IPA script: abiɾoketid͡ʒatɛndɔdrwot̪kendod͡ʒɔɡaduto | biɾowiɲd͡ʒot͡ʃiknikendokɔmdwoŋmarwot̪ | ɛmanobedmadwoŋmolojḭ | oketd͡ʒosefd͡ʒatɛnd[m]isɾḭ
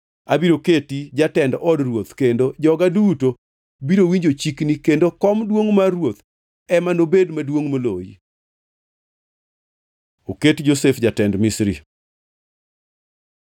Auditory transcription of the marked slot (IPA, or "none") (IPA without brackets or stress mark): m